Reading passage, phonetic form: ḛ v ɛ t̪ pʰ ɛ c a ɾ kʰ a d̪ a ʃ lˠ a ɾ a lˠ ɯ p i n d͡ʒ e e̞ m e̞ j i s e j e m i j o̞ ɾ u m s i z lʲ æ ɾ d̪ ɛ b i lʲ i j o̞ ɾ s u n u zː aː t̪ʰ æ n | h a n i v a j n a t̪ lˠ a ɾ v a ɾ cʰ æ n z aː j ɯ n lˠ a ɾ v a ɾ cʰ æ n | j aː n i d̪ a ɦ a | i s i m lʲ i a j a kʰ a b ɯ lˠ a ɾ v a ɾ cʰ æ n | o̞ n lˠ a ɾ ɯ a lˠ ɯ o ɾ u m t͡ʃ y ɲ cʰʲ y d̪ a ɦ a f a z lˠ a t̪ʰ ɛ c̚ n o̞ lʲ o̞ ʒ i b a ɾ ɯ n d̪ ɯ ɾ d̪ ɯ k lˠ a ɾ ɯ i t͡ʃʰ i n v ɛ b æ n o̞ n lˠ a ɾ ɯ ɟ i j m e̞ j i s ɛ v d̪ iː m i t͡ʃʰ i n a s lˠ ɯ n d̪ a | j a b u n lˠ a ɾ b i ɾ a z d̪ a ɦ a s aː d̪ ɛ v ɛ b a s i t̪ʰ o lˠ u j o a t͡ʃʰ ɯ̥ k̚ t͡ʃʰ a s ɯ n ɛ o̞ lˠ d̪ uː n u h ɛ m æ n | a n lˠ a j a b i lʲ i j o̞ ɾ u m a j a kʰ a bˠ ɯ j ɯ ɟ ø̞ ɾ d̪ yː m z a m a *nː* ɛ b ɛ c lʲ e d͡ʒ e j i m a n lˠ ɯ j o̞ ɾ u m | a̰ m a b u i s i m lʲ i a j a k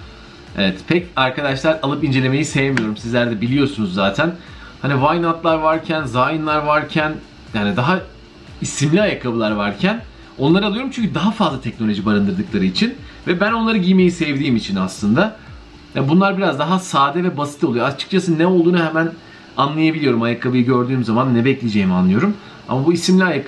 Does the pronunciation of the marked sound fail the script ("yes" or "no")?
no